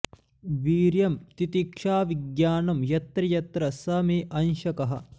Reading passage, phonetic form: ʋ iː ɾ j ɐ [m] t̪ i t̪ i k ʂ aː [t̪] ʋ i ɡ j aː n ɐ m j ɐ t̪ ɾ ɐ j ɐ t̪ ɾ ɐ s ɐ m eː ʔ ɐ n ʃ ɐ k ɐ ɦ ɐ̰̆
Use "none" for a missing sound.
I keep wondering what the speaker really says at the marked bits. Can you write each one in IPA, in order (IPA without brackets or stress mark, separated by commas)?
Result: m, none